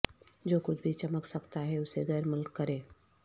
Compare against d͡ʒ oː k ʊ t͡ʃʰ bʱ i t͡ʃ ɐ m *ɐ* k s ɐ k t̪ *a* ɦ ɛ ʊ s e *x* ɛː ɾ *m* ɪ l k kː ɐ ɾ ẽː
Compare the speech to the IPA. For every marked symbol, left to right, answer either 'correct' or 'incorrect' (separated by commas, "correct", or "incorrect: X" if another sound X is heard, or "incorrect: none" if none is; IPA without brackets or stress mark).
incorrect: ə, correct, incorrect: ɣ, correct